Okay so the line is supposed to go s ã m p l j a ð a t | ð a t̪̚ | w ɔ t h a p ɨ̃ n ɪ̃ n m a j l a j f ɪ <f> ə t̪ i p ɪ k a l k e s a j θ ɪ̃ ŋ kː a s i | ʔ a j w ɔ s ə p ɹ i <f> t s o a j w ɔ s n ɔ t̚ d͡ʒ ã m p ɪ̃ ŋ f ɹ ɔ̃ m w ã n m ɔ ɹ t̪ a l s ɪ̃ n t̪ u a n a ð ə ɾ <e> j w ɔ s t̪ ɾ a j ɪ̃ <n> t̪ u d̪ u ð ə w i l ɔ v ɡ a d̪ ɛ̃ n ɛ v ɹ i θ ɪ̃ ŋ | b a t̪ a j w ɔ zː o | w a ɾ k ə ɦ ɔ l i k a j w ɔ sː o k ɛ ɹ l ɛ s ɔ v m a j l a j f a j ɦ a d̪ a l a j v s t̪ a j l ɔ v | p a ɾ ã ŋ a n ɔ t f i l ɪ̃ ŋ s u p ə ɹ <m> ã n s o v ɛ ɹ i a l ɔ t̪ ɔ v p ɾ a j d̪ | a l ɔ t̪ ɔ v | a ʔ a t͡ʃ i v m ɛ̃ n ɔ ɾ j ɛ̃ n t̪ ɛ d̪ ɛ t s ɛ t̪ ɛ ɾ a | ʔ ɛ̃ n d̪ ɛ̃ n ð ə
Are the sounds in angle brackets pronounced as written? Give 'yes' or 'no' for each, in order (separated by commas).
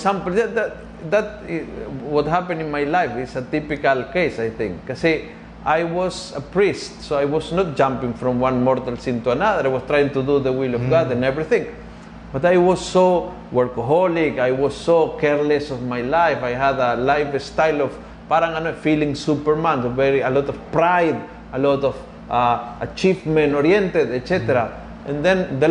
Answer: no, no, no, no, yes